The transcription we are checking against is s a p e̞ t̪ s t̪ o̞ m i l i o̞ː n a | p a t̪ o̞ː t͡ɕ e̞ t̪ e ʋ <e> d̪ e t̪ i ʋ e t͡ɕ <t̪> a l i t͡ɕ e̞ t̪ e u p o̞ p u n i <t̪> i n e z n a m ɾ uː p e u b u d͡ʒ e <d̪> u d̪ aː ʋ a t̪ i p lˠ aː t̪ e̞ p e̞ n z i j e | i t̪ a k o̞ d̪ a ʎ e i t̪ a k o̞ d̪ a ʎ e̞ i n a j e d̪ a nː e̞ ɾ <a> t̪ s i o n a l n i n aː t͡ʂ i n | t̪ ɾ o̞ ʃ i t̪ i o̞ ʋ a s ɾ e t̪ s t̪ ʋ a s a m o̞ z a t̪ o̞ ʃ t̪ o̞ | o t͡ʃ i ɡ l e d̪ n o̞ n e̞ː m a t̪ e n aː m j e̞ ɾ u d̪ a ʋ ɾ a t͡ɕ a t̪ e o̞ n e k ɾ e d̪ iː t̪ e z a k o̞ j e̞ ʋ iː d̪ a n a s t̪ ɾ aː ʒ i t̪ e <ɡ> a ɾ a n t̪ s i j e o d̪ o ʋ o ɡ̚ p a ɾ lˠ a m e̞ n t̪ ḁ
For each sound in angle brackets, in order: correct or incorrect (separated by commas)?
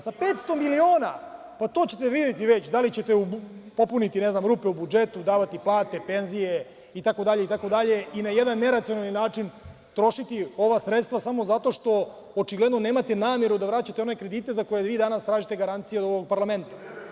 incorrect, incorrect, correct, incorrect, correct, correct